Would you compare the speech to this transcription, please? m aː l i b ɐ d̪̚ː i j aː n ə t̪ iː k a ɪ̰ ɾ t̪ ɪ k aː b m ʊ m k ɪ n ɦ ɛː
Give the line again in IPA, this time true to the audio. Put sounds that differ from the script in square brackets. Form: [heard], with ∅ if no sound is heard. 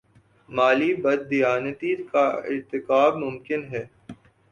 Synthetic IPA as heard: m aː l i b ɐ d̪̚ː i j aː n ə t̪ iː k a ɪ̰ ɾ t̪ ɪ k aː b m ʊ m k ɪ n ɦ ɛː